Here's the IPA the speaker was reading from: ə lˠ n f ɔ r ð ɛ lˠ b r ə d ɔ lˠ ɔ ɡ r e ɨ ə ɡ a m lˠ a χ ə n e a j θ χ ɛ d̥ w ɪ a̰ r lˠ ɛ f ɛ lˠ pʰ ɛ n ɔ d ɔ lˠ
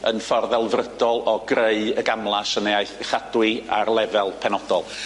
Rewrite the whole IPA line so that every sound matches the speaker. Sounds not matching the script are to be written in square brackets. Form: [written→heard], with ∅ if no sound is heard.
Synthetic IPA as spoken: ə [lˠ→∅] n f ɔ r ð ɛ lˠ [b→v] r ə d ɔ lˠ ɔ ɡ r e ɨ ə ɡ a m lˠ a [χ→s] ə n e a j θ χ [ɛ→a] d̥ w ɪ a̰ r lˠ ɛ [f→v] ɛ lˠ pʰ ɛ n ɔ d ɔ lˠ